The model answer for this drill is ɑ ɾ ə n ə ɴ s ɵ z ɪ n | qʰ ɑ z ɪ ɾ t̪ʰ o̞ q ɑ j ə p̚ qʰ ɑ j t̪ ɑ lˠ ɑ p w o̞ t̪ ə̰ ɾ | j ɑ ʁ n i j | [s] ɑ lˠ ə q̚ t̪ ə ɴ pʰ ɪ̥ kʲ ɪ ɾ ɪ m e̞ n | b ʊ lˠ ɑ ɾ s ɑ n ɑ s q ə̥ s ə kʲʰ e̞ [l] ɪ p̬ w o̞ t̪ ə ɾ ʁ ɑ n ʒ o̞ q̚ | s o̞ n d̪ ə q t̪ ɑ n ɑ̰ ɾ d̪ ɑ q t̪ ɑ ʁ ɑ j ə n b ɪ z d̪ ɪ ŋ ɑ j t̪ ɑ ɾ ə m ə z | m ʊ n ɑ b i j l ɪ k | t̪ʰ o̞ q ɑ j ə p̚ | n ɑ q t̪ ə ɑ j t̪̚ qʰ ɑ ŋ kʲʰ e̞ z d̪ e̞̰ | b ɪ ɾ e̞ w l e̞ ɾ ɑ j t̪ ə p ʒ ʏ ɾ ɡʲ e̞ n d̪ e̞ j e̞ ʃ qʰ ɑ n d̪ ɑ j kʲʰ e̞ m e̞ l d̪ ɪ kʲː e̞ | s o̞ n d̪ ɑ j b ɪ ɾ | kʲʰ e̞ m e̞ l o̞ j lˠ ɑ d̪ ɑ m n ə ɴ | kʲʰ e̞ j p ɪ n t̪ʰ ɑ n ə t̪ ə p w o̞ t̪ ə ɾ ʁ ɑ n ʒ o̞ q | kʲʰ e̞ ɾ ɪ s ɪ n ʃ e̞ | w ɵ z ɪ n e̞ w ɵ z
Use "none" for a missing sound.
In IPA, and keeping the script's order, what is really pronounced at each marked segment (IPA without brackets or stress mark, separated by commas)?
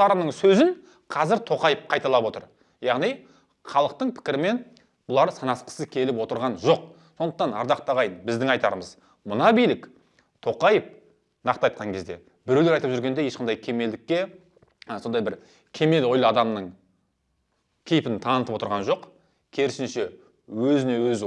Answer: χ, l